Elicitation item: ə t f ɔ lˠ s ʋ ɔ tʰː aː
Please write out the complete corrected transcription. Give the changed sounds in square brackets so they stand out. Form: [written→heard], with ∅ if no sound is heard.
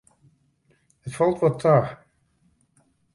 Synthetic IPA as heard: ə t f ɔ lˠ [s→t] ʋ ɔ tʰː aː